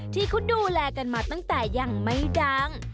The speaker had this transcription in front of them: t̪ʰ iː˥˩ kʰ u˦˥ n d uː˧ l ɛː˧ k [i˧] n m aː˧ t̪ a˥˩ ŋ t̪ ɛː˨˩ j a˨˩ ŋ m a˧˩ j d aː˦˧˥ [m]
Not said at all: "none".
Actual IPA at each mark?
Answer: a˧, ŋ

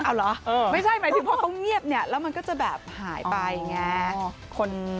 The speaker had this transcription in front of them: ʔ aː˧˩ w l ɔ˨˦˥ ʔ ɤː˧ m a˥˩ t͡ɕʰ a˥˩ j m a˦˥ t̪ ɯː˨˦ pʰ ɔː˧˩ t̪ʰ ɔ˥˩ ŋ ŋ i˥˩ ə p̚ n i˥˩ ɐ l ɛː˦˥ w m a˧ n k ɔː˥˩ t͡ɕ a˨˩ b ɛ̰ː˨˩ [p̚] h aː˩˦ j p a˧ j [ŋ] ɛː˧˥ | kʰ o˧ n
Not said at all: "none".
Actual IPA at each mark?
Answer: p̚, ŋ

